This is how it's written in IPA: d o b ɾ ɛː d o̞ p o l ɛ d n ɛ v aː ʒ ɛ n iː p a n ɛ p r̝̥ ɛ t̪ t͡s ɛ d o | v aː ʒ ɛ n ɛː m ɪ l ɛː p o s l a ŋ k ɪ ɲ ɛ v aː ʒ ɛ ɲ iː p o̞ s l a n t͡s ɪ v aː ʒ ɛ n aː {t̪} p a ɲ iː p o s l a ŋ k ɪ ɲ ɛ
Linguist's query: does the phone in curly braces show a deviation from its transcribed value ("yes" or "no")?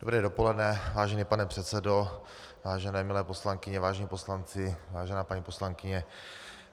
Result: yes